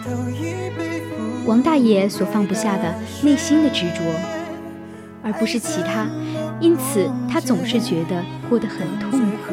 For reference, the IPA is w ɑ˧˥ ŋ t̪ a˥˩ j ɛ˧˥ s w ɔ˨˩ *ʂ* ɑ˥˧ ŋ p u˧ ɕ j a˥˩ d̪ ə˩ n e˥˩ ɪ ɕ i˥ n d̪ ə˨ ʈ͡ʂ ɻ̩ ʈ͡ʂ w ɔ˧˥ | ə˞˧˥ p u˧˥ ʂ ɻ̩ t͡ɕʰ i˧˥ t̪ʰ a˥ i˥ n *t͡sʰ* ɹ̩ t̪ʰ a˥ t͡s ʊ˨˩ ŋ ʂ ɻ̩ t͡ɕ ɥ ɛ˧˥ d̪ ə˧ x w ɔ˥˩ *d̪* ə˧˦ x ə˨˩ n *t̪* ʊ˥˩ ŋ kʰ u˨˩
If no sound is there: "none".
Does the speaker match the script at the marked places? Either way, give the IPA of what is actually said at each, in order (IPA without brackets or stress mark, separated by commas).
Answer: f, t͡sʰ, d̪, t̪ʰ